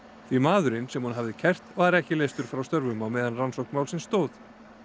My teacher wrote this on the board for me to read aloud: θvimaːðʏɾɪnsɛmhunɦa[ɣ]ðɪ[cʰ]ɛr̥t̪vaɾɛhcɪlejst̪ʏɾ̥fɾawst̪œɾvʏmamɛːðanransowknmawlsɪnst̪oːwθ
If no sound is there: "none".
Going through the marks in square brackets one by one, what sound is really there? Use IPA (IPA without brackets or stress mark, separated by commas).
v, cʰ